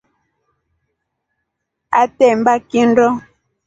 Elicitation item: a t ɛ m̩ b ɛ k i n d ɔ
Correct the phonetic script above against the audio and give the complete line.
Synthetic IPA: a t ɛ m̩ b a k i n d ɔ